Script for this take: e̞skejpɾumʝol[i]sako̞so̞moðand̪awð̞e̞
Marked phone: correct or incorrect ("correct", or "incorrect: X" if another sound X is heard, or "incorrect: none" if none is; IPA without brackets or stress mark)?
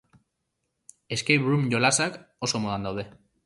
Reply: incorrect: a